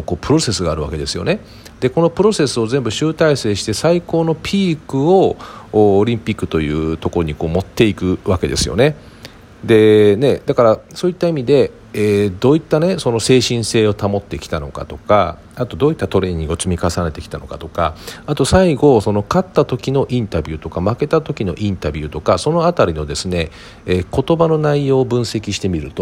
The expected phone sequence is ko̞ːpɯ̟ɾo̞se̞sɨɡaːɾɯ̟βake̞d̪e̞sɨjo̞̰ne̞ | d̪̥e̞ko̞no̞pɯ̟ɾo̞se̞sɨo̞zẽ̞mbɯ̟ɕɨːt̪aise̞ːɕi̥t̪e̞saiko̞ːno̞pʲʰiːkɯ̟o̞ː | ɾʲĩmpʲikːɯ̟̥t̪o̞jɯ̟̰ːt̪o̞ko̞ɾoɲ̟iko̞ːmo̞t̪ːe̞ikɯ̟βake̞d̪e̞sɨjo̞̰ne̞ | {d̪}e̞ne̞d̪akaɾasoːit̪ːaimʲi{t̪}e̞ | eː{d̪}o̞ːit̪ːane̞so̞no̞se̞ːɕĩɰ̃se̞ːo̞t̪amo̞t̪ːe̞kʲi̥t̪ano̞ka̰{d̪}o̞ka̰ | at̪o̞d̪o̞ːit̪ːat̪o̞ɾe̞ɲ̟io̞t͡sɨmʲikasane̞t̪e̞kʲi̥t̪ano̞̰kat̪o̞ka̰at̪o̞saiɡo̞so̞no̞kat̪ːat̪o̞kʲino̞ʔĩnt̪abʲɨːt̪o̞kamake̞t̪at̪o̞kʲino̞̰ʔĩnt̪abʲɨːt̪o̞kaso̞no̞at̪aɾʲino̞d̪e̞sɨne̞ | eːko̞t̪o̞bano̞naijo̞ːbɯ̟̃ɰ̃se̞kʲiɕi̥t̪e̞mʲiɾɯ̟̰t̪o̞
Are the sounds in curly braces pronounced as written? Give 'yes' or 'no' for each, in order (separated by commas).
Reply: yes, no, yes, no